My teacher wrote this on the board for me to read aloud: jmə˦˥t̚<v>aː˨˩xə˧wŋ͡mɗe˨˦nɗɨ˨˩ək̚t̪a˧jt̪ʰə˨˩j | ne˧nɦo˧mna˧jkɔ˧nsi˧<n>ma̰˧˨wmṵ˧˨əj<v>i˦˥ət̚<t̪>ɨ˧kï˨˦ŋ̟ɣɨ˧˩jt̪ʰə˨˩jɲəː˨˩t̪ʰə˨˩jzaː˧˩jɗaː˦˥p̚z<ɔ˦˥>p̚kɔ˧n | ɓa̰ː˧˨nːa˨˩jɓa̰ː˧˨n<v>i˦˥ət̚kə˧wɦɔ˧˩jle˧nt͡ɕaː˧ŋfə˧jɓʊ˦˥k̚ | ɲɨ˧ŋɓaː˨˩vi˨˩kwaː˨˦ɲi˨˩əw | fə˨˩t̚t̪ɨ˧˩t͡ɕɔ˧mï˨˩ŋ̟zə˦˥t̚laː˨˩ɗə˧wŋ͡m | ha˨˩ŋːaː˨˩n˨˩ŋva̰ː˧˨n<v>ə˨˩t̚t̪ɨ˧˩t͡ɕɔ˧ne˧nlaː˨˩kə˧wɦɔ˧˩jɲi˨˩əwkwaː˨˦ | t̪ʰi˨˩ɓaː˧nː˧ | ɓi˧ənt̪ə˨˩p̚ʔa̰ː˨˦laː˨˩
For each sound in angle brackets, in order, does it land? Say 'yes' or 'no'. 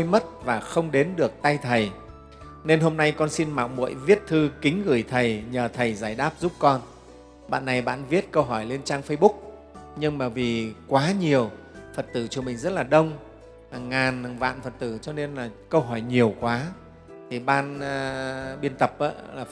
yes, yes, yes, no, no, yes, no

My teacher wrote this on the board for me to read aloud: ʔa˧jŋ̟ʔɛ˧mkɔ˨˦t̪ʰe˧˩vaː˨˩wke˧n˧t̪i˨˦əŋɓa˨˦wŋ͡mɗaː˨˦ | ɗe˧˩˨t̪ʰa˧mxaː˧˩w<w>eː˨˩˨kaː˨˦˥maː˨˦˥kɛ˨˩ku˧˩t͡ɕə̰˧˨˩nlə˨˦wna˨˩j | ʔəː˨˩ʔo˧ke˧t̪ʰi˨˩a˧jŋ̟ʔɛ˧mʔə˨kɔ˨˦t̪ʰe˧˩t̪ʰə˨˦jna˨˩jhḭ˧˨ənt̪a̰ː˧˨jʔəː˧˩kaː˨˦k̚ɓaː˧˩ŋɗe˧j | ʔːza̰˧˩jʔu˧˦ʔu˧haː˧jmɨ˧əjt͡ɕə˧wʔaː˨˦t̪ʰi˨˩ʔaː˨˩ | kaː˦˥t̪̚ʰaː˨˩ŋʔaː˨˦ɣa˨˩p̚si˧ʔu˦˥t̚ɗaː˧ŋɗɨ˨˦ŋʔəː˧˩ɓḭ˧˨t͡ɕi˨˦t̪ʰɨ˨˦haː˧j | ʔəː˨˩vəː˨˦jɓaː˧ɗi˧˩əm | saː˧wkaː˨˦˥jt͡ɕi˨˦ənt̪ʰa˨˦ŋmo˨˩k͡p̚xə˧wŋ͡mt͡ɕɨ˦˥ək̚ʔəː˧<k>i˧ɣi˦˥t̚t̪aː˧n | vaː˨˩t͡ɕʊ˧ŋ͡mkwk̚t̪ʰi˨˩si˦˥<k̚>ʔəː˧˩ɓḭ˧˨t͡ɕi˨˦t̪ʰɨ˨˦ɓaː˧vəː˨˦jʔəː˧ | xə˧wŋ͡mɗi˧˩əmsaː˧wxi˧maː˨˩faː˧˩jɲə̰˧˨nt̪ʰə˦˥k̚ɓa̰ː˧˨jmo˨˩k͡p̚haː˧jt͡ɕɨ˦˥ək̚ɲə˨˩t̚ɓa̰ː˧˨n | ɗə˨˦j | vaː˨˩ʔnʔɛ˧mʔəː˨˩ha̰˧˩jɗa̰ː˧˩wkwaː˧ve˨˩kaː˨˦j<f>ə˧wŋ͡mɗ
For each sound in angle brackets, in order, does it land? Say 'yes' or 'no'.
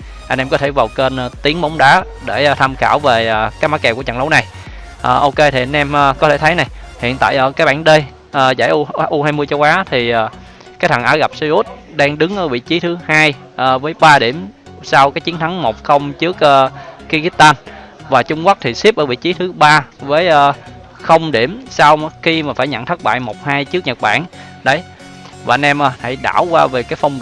no, yes, no, yes

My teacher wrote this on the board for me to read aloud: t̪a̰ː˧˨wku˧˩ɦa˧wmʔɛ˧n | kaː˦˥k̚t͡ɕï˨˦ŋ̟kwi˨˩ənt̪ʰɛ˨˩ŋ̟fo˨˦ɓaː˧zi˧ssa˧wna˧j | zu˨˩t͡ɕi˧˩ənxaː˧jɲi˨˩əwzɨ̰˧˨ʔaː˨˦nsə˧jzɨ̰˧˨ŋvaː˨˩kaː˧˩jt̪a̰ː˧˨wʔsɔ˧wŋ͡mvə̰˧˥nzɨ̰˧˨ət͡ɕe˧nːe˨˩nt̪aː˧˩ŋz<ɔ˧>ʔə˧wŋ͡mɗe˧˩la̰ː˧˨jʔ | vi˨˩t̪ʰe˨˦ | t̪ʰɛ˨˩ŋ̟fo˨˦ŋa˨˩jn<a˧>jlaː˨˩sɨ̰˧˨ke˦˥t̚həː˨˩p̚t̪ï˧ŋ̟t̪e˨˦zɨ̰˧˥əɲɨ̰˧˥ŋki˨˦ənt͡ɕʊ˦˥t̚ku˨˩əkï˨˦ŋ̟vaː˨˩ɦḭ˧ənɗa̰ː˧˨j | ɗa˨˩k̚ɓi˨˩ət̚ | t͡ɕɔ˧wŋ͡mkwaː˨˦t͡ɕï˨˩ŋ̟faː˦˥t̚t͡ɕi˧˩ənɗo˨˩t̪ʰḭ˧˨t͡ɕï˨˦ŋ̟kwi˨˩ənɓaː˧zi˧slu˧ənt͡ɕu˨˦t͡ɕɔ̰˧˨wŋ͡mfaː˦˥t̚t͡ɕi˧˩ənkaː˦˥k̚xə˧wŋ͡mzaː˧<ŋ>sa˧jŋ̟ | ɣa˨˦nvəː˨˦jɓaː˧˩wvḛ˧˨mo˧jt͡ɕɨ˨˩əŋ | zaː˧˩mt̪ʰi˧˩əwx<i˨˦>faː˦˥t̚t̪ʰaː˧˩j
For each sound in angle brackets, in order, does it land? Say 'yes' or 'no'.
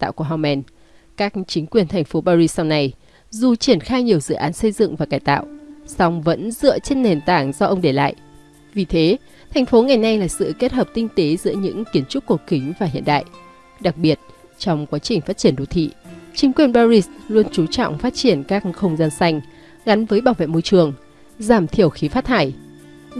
yes, yes, no, yes

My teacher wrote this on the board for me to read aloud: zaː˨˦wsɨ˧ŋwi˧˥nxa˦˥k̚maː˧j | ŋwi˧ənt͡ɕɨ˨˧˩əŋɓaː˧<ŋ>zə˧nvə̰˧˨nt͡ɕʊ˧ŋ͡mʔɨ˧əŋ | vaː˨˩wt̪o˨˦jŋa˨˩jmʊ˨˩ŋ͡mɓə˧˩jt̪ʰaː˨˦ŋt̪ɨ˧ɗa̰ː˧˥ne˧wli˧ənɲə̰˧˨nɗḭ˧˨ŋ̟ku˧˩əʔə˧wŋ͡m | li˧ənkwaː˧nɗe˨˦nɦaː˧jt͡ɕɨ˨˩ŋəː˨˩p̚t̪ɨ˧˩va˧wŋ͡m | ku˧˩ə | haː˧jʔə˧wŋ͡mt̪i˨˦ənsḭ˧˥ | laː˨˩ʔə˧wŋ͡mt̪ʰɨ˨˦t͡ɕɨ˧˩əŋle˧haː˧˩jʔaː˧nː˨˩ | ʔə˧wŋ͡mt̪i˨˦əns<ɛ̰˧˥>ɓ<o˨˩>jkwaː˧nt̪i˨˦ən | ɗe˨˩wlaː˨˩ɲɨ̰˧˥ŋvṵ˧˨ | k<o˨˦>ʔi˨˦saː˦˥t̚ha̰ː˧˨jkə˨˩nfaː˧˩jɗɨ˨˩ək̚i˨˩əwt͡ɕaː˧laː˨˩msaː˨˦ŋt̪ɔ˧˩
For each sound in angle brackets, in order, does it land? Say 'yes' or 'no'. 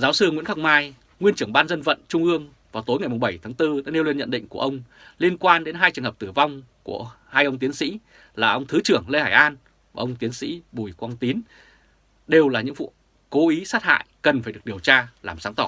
no, no, no, yes

